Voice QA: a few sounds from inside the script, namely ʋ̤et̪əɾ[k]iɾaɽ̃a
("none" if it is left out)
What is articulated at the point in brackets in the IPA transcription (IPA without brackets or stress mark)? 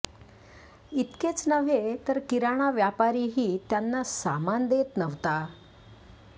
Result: k